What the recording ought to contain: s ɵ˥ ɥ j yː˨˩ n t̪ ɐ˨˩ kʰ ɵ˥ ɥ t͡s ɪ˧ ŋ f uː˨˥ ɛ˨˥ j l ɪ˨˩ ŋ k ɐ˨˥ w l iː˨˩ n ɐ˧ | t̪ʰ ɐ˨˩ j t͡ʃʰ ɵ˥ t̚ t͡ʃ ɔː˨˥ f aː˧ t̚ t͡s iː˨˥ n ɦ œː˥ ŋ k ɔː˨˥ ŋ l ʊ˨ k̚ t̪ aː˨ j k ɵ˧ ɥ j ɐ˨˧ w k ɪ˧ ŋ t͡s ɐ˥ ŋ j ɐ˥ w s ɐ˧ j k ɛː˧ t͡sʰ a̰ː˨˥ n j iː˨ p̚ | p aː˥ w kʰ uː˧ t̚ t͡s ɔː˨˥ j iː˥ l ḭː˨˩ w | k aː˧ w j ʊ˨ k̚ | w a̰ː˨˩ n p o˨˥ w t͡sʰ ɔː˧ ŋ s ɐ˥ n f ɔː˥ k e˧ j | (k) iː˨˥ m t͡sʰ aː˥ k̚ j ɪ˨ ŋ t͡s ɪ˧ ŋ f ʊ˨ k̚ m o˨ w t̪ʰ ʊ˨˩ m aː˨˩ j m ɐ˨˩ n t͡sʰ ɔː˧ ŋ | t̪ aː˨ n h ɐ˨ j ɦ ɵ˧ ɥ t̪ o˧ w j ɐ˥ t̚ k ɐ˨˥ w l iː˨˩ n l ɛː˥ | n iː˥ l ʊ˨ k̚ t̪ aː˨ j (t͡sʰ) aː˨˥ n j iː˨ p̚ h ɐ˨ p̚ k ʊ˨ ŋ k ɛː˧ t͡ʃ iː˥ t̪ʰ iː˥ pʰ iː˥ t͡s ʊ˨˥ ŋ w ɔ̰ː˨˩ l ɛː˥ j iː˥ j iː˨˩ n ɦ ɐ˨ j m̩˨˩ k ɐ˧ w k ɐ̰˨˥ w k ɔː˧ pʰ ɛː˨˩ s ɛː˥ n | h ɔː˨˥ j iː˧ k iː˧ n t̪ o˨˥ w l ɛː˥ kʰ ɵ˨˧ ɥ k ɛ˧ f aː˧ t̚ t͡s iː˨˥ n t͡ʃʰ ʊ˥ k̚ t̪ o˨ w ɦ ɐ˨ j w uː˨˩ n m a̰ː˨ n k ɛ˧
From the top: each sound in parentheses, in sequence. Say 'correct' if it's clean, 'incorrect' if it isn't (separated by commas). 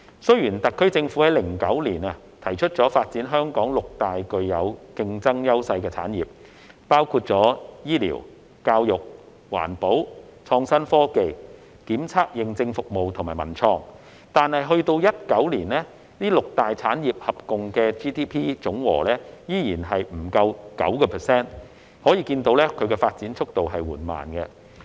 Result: correct, correct